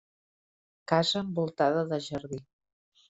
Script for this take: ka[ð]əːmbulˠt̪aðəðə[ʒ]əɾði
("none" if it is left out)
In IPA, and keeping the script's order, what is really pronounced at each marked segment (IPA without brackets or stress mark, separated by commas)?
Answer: z, ʒ